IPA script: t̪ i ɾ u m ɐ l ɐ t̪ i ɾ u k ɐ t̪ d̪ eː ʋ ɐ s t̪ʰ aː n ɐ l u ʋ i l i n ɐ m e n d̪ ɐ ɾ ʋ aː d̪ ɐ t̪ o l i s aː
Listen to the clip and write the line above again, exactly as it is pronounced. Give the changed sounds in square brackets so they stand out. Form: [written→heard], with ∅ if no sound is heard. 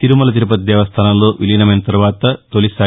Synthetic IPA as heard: t̪ i ɾ u m ɐ l ɐ t̪ i ɾ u [k→p] ɐ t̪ d̪ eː ʋ ɐ s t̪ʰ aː n ɐ l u ʋ i l i n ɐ m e n [d̪→t̪] ɐ ɾ ʋ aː [d̪→t̪] ɐ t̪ o l i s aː